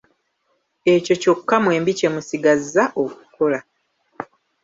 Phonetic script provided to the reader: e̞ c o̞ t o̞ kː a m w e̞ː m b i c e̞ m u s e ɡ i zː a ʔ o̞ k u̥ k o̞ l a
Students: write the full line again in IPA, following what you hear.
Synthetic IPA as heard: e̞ c o̞ c o̞ kː a m w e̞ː m b i c e̞ m u s i ɡ a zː a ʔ o̞ k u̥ k o̞ l a